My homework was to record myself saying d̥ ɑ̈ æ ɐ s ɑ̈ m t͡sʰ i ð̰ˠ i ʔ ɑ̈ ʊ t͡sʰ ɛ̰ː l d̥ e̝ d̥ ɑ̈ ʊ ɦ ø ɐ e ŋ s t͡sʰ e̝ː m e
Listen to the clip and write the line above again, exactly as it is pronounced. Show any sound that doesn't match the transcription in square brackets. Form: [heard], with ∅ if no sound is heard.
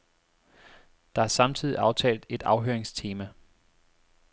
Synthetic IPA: d̥ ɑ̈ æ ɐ s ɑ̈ m t͡sʰ i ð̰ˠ i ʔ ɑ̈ ʊ t͡sʰ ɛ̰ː l d̥ e̝ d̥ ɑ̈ ʊ ɦ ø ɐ e ŋ s t͡sʰ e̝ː m [æ]